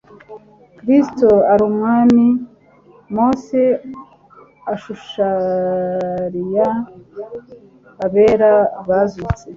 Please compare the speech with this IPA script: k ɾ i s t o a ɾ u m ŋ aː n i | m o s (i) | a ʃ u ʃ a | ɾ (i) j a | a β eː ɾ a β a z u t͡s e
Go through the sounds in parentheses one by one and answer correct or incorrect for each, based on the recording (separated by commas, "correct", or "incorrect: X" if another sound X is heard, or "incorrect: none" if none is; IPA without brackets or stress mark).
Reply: incorrect: e, correct